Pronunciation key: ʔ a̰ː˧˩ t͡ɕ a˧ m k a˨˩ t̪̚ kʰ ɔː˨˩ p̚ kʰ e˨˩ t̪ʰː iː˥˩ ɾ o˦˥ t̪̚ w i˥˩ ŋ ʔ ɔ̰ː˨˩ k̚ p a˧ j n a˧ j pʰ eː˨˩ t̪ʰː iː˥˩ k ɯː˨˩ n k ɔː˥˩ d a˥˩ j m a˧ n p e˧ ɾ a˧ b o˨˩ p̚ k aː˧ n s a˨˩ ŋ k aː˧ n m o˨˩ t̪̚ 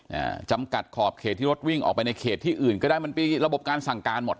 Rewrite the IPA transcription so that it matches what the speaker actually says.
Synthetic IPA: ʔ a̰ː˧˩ t͡ɕ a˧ m k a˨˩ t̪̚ kʰ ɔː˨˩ p̚ kʰ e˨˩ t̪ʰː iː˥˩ ɾ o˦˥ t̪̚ w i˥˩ ŋ ʔ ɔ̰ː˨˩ k̚ p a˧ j n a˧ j kʰ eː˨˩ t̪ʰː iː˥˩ ʔ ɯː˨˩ n k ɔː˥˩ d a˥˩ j m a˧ n p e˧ ɾ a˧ b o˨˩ p̚ k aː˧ n s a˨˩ ŋ k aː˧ n m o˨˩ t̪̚